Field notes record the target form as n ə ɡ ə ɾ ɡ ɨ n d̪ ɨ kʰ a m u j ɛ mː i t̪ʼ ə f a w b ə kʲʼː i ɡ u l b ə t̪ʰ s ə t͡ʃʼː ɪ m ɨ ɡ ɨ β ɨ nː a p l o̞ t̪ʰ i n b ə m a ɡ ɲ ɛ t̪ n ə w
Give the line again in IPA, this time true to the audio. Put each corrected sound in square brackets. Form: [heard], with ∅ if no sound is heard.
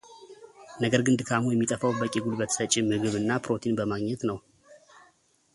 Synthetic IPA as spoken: n ə ɡ ə ɾ ɡ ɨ n d̪ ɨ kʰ a m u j ɛ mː i t̪ʼ ə f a w b ə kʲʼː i ɡ u l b ə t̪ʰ s ə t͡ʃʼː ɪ m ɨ ɡ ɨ β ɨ nː a p [ɾ] o̞ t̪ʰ i n b ə m a ɡ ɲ ɛ t̪ n ə w

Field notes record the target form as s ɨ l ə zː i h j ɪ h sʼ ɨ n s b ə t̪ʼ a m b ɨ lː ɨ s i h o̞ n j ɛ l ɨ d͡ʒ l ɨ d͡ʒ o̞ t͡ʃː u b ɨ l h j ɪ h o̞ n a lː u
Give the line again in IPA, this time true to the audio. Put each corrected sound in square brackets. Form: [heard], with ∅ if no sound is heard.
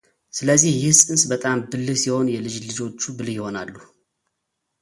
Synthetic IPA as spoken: s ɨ l ə zː i h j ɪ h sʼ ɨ n s b ə t̪ʼ a m b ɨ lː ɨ s i h o̞ n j ɛ l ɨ d͡ʒ l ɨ d͡ʒ o̞ t͡ʃː u b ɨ l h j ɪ h o̞ n a lː u

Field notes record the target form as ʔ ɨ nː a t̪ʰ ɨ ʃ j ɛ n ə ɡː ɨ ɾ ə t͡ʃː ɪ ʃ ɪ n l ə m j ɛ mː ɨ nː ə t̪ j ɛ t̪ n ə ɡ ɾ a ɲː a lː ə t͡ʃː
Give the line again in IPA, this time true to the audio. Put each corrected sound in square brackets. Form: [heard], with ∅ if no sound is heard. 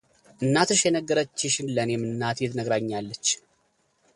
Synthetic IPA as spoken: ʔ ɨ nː a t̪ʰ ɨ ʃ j ɛ n ə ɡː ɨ ɾ ə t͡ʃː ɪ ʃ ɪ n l ə [n] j ɛ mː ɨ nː [a] t̪ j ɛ t̪ n ə ɡ ɾ a ɲː a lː ə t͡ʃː

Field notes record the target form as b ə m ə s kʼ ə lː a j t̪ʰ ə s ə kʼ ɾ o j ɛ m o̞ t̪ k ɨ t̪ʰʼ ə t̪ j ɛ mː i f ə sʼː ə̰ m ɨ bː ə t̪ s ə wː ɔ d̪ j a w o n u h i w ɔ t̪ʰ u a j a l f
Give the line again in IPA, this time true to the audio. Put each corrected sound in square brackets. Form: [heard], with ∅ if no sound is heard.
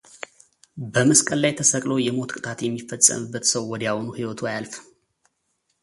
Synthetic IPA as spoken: b ə m ə s kʼ ə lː a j t̪ʰ ə s ə kʼ [l] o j ɛ m o̞ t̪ [kʼ] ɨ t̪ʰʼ [a] t̪ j ɛ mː i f ə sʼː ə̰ m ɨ bː ə t̪ s ə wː ɔ d̪ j a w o n u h i w ɔ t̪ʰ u a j a l f

